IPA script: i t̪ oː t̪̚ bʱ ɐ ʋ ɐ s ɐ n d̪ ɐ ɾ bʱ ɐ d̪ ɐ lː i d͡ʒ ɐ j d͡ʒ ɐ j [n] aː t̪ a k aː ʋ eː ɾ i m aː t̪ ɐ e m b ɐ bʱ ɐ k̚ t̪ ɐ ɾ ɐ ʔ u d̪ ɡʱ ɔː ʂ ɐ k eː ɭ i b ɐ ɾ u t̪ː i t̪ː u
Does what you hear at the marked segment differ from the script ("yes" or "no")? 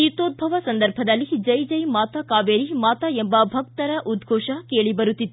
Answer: yes